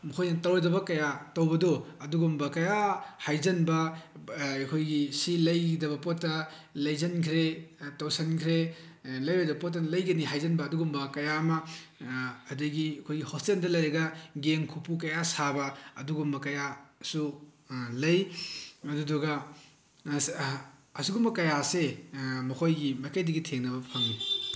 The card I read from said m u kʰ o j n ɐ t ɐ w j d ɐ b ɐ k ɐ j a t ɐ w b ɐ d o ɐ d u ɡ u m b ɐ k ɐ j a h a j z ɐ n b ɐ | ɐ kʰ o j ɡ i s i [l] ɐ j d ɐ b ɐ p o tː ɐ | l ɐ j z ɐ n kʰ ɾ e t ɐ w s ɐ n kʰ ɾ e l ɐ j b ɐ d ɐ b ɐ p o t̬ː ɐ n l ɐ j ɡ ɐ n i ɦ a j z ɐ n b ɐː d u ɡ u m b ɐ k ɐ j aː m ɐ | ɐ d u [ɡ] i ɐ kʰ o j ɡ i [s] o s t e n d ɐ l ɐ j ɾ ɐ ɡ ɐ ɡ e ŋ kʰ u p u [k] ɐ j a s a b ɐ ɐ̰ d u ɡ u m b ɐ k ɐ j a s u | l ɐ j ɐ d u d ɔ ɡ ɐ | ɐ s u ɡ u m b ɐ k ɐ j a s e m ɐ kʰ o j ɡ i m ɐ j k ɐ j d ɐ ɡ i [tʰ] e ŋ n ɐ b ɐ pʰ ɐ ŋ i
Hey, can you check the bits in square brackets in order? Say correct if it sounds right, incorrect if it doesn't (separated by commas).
correct, correct, incorrect, correct, correct